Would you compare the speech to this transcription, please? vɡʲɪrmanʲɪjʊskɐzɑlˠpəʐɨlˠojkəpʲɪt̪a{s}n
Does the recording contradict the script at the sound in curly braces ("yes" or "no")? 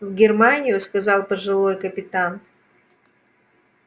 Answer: yes